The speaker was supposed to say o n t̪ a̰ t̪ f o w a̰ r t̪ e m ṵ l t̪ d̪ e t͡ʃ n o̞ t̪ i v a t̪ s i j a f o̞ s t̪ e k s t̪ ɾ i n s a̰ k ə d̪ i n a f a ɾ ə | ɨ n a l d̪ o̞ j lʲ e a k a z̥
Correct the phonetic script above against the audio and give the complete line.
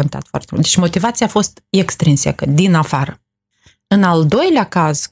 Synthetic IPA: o n t̪ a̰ t̪ f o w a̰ r t̪ e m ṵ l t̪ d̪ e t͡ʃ m o̞ t̪ i v a t̪ s i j a f o̞ s t̪ e k s t̪ ɾ i n s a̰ k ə d̪ i n a f a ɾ ə | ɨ n a l d̪ o̞ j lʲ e a k a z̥